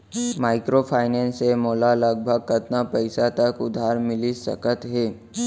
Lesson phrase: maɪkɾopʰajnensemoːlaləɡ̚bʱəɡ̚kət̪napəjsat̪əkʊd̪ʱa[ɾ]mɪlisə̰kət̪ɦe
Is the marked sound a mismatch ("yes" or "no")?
no